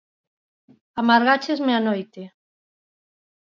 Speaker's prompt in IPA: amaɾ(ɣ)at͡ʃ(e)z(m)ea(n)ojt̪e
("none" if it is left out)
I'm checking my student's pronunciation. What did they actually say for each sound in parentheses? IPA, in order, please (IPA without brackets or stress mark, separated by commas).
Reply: ɣ, e, m, n